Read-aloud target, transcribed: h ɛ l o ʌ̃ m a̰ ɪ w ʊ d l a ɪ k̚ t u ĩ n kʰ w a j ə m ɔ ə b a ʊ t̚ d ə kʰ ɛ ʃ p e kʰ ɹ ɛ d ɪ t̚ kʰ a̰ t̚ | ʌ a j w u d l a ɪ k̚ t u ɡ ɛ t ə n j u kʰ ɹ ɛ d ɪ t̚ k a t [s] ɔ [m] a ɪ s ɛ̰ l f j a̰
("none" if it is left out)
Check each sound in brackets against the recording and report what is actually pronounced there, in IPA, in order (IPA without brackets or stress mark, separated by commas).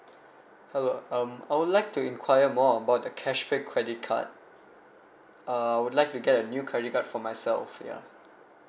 f, m